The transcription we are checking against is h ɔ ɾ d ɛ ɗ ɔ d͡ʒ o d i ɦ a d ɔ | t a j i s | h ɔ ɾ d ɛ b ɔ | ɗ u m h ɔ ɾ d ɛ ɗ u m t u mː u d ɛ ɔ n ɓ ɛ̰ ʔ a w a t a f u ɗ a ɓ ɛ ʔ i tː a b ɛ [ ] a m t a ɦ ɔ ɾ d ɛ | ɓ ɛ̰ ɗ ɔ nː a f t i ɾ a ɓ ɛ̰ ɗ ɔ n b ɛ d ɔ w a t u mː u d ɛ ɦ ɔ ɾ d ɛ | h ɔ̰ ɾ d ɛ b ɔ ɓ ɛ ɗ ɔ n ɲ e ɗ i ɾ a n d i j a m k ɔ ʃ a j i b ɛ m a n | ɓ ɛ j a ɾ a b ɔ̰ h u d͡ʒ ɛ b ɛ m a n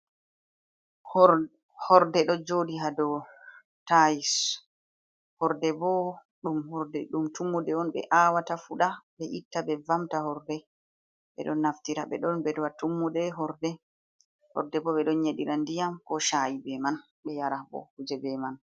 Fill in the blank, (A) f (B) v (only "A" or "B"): B